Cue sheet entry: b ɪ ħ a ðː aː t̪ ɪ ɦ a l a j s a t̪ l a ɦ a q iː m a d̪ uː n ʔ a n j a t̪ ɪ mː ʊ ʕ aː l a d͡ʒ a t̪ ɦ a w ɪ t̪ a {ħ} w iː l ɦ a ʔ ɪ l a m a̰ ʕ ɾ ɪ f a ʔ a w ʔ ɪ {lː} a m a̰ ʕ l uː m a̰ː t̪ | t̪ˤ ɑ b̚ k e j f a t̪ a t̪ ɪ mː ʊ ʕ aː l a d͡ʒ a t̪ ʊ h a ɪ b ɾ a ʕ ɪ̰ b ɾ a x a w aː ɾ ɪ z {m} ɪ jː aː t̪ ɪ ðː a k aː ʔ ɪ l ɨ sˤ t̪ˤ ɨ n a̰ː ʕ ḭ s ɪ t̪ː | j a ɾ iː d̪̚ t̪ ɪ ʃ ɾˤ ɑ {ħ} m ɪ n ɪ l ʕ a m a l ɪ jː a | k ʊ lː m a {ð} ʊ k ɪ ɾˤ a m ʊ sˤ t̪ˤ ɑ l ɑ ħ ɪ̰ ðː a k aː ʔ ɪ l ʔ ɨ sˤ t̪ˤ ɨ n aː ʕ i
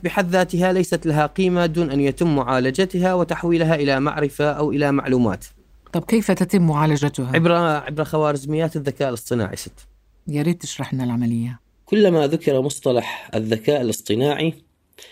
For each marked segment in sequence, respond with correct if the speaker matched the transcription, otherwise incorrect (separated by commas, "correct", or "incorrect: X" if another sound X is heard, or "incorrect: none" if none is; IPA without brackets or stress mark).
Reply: correct, incorrect: l, correct, correct, correct